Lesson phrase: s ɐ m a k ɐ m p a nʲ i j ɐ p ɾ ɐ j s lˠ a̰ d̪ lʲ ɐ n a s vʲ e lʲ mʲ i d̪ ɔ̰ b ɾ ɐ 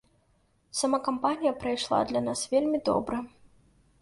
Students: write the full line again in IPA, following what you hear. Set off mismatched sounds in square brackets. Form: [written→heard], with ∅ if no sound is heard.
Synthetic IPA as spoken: s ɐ m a k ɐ m p a nʲ i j ɐ p ɾ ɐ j [s→ʂ] lˠ a̰ d̪ lʲ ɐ n a s vʲ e lʲ mʲ i d̪ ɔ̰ b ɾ ɐ